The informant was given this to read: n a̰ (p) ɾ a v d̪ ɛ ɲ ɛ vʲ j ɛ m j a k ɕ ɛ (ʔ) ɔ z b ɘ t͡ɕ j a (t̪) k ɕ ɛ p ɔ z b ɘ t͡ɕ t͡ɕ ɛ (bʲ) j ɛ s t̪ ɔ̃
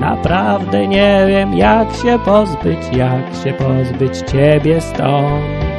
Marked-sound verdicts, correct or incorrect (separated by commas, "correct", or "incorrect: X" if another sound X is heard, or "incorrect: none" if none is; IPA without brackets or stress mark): correct, incorrect: p, incorrect: none, correct